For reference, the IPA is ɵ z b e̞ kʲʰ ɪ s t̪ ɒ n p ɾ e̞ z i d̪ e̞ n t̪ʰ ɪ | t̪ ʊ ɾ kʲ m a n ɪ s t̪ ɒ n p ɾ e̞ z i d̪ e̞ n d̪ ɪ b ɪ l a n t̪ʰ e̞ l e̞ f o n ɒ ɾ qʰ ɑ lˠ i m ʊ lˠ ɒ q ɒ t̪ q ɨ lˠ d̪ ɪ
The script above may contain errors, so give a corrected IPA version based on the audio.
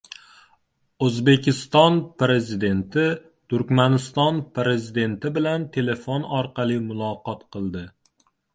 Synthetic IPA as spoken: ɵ z b e̞ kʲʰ ɪ s t̪ ɒ n p ɾ e̞ z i d̪ e̞ n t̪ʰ ɪ | t̪ ʊ ɾ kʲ m a n ɪ s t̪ ɒ n p ɾ e̞ z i d̪ e̞ n t̪ ɪ b ɪ l a n t̪ʰ e̞ l e̞ f o n ɒ ɾ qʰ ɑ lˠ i m ʊ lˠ ɒ q ɒ t̪ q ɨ lˠ d̪ ɪ